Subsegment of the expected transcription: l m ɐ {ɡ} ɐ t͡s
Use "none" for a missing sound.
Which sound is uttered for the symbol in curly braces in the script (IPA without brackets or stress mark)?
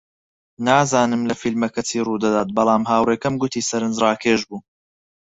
k